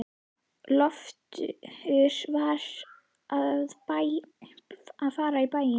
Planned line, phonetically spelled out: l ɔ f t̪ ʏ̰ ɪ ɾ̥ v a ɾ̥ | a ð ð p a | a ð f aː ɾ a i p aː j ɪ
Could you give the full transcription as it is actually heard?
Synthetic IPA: l ɔ f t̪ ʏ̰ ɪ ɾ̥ v a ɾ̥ | a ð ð p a | a ð f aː ɾ a i p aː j ɪ